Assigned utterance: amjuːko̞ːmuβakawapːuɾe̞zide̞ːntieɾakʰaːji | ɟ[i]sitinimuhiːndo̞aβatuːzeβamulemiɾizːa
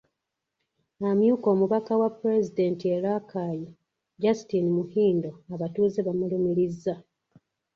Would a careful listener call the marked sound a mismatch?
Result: yes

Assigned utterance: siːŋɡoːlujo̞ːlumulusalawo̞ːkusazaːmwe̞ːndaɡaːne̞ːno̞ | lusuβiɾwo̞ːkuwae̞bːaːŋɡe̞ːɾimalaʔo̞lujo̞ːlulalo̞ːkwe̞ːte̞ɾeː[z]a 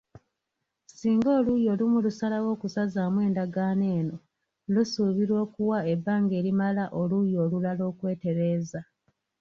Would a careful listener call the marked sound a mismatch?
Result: no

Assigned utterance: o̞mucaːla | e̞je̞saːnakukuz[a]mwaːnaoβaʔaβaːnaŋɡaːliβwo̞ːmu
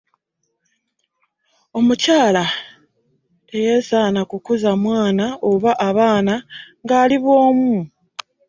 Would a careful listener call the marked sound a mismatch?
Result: no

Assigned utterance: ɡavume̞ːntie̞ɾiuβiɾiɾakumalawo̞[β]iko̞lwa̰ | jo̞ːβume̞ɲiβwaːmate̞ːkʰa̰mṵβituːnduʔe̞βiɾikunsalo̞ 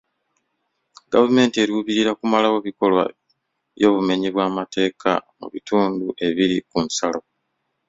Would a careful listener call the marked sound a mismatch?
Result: no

